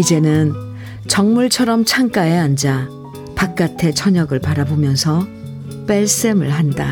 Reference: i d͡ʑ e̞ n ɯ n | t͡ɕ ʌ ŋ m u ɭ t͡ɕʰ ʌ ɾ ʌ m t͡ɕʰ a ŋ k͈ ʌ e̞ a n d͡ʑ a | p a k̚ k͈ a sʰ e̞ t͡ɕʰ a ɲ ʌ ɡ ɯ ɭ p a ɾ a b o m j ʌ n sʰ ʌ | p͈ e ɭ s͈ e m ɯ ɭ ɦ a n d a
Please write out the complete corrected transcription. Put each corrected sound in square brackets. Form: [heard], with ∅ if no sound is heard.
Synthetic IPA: i d͡ʑ e̞ n ɯ n | t͡ɕ ʌ ŋ m u ɭ t͡ɕʰ ʌ ɾ ʌ m t͡ɕʰ a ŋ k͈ [a] e̞ a n d͡ʑ a | p a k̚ k͈ a [tʰ] e̞ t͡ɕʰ [ʌ] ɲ ʌ ɡ ɯ ɭ p a ɾ a b o m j ʌ n sʰ ʌ | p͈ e ɭ s͈ e m ɯ ɭ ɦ a n d a